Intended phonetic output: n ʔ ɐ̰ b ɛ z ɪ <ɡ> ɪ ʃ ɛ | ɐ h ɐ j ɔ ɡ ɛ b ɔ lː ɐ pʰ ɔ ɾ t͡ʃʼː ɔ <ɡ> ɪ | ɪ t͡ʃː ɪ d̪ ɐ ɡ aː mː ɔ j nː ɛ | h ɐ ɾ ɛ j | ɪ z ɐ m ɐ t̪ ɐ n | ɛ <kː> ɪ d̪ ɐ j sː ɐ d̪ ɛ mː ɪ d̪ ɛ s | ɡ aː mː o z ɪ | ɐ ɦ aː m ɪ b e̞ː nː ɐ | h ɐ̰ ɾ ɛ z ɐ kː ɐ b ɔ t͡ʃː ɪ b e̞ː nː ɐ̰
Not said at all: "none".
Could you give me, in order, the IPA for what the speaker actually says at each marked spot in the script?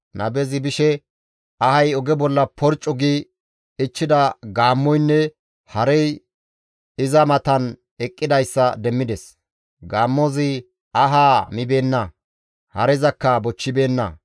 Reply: b, ɡ, kʼː

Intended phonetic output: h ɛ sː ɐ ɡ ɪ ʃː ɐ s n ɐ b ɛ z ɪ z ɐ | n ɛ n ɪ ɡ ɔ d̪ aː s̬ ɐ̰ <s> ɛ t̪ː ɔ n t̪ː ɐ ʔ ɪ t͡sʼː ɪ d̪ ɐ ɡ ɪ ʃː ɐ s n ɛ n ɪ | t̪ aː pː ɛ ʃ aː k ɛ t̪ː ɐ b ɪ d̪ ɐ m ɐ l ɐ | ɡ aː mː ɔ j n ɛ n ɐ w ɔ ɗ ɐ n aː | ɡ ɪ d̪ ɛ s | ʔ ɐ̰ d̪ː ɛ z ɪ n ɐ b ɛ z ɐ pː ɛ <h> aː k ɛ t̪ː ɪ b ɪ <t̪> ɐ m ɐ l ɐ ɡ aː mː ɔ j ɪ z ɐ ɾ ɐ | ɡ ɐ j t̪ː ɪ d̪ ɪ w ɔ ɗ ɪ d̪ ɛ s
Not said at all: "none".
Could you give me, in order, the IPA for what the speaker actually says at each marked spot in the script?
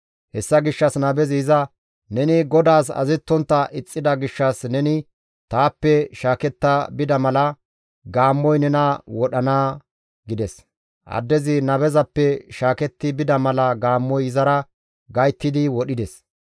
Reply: z, ʃ, d̪

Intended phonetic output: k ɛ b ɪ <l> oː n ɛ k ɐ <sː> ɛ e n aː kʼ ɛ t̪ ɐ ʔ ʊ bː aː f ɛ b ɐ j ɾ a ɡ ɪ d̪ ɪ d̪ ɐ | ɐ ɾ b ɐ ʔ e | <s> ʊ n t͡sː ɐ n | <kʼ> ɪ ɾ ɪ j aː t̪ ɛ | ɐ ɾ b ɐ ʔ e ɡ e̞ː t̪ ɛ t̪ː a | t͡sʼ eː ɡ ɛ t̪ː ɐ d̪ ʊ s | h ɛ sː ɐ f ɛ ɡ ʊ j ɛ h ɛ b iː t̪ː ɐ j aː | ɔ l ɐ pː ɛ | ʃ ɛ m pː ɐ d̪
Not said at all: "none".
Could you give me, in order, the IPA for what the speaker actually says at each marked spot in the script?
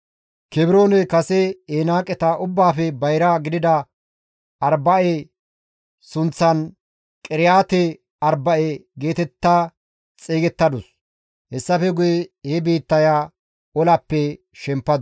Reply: ɾ, s, s, kʼ

